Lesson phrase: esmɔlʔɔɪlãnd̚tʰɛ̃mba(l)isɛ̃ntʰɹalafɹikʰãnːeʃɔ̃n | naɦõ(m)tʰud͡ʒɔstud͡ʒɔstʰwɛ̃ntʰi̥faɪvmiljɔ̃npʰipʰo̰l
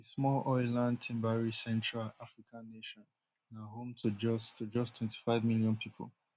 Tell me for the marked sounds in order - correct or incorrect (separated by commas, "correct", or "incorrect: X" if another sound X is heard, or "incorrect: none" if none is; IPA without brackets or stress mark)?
incorrect: ɹ, correct